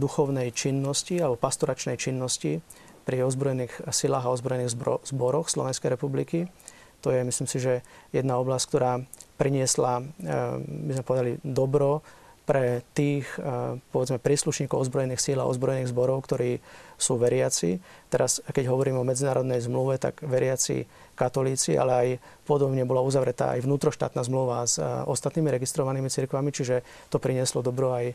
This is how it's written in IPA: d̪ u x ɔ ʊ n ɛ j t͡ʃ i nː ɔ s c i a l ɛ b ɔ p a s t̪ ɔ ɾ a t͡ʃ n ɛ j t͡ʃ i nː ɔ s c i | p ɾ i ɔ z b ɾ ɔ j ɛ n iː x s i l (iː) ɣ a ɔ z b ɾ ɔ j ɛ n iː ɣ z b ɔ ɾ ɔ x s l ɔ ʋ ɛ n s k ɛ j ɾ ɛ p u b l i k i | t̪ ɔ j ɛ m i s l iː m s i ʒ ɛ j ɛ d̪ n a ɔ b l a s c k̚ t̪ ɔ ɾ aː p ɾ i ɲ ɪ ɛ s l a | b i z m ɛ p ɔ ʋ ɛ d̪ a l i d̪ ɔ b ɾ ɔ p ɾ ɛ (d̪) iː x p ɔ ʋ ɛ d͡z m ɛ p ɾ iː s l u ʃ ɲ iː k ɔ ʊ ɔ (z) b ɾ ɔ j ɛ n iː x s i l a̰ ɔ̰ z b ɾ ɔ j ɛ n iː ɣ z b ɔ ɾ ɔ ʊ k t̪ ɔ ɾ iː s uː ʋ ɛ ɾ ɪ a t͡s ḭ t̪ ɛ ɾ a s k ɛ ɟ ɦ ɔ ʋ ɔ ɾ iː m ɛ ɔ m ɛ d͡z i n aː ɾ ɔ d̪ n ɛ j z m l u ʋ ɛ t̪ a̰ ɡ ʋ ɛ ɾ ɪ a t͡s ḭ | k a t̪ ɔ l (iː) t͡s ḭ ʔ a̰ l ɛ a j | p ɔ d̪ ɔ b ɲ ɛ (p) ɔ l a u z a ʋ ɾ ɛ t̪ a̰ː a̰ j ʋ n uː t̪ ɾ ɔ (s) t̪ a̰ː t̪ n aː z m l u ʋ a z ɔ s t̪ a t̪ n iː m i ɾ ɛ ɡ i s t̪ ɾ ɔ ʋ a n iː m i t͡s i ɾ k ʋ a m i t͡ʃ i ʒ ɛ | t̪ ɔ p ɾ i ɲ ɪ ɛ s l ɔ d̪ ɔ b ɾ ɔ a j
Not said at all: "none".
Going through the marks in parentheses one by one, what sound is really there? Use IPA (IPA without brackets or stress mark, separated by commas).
aː, t̪, z, iː, b, ʃ